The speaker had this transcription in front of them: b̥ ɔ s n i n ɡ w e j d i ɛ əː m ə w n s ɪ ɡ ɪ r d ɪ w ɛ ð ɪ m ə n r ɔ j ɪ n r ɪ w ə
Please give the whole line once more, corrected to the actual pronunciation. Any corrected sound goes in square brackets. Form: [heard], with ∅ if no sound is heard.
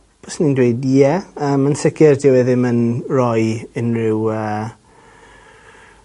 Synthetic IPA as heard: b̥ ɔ s n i n [d] w e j d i ɛ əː m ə [∅] n s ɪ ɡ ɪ r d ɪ w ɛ ð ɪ m ə n r ɔ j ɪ n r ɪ w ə